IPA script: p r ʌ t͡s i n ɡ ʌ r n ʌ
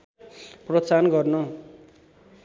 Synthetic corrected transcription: p r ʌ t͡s a n ɡ ʌ r n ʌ